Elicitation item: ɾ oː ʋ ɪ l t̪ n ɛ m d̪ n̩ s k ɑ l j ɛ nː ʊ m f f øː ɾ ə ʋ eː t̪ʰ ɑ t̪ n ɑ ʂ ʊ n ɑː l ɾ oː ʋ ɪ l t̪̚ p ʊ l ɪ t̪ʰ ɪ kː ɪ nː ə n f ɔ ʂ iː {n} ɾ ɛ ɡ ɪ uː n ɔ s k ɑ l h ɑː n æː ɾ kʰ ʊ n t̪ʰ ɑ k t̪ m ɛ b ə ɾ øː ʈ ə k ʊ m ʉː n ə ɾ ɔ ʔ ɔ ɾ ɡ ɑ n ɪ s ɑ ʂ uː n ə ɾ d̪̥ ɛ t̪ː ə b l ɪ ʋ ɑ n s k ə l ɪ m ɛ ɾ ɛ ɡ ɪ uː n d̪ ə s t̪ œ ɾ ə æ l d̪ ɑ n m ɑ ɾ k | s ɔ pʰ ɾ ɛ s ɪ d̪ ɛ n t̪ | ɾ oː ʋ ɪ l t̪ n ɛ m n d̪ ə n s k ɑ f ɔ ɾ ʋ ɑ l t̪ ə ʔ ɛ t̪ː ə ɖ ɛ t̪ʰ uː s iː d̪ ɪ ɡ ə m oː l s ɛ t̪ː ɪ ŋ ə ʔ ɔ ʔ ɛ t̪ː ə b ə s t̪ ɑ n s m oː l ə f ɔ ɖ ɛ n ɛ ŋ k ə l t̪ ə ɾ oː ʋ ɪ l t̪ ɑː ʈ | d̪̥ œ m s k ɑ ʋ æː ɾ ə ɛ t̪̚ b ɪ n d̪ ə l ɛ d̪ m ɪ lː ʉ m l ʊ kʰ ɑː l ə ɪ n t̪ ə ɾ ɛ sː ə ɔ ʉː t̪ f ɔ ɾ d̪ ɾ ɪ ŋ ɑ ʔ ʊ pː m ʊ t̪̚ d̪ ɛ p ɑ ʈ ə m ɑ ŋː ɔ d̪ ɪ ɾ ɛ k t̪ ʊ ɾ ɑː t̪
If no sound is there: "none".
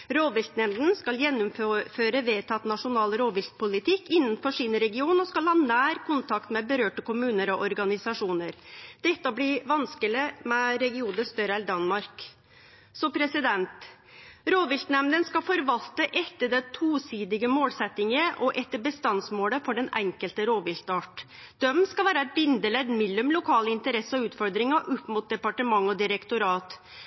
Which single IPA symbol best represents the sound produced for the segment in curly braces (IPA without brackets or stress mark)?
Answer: n